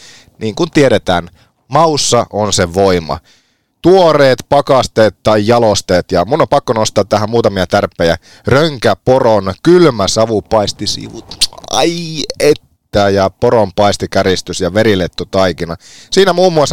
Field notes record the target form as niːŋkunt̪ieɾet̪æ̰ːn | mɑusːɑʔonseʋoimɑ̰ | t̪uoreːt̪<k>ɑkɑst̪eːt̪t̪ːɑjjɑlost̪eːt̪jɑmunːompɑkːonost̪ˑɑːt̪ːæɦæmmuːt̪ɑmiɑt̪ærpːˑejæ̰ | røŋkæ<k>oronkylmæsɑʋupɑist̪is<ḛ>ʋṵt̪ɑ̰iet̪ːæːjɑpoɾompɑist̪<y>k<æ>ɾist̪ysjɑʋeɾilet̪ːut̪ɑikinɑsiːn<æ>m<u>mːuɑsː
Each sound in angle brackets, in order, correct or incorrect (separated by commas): incorrect, incorrect, incorrect, incorrect, correct, correct, incorrect